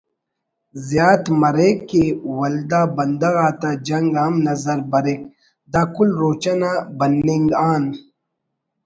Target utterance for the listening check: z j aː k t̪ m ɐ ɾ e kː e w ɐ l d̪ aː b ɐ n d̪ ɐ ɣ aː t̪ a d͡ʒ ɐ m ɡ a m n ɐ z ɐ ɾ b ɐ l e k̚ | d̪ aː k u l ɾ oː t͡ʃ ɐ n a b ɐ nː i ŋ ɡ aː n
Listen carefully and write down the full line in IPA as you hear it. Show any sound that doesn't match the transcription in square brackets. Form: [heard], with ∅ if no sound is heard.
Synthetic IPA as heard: z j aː [∅] t̪ m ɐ ɾ e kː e w ɐ l d̪ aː b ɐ n d̪ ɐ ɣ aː t̪ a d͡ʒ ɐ [ŋ] ɡ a m n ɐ z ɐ ɾ b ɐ [ɾ] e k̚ | d̪ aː k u l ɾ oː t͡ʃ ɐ n a b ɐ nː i ŋ ɡ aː n